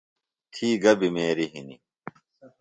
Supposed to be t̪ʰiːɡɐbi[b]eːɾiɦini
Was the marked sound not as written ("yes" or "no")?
yes